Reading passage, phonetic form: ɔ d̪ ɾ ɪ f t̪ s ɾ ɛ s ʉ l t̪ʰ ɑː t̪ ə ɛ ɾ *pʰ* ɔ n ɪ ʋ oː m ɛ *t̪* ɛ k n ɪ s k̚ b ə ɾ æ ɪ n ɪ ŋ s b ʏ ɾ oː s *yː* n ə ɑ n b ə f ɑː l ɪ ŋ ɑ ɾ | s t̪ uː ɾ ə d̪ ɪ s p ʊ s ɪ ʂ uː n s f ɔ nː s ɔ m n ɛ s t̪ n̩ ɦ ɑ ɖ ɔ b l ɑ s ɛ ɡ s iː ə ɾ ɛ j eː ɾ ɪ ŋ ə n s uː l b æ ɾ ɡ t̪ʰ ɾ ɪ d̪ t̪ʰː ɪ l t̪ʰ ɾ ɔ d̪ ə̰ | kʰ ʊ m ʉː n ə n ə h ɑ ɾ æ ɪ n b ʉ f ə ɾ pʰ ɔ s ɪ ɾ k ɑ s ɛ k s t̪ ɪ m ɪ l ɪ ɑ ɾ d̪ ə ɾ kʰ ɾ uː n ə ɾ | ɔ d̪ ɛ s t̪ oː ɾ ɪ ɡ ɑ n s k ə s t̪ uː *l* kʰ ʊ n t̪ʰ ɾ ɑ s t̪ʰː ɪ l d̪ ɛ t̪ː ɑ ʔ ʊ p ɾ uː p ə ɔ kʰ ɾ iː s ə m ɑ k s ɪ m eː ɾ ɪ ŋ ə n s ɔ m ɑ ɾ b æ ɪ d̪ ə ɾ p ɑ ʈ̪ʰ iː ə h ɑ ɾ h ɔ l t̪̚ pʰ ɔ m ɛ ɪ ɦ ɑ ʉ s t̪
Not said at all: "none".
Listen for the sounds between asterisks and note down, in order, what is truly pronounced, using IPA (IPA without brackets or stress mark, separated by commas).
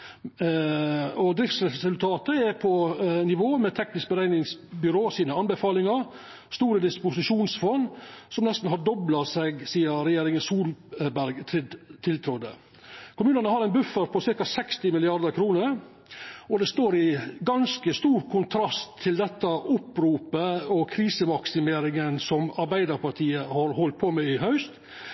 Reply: pʰ, t̪ʰ, iː, ɾ